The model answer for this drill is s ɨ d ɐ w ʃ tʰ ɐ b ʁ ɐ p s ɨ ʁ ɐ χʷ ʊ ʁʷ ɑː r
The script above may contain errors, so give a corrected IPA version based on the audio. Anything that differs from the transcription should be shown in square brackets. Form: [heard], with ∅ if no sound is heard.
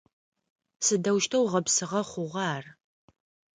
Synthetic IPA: s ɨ d ɐ w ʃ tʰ ɐ [w] ʁ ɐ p s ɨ ʁ ɐ χʷ ʊ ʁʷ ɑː r